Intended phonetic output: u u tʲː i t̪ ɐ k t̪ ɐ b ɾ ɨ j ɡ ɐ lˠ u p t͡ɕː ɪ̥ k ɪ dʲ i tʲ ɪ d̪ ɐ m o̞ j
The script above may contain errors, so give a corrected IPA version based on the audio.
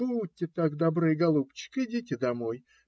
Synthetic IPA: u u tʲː ɪ t̪ a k d̪ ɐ b ɾ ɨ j ɡ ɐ lˠ u p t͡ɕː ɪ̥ k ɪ dʲ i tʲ ɪ d̪ ɐ m o̞ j